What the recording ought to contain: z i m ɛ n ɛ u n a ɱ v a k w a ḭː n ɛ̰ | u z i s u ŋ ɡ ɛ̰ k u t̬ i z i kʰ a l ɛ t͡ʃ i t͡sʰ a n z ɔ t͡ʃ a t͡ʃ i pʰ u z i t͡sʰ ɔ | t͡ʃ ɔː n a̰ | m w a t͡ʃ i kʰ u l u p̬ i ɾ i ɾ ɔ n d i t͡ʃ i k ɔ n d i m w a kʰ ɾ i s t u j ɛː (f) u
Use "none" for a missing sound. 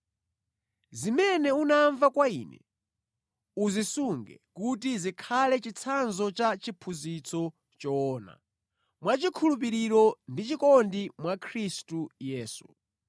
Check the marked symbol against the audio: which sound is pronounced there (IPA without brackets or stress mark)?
s